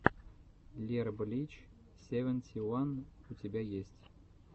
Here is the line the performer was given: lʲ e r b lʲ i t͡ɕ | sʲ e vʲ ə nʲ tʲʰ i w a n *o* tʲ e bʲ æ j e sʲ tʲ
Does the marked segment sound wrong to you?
yes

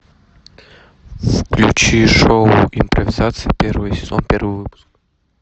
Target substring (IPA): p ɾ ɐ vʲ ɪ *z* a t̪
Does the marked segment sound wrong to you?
no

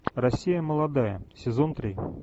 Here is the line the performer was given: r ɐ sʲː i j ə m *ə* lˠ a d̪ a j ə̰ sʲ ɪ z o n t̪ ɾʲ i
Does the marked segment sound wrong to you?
no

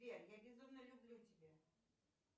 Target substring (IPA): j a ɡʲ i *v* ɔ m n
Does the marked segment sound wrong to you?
yes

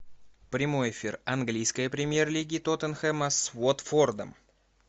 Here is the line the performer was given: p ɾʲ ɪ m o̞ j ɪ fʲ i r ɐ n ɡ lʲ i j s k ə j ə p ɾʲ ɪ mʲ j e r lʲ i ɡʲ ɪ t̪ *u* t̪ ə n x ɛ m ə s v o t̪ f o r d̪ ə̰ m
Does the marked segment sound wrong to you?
yes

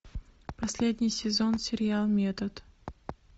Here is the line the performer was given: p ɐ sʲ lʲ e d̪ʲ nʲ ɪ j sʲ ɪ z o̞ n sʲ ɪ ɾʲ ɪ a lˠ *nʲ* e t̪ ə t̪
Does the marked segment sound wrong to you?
yes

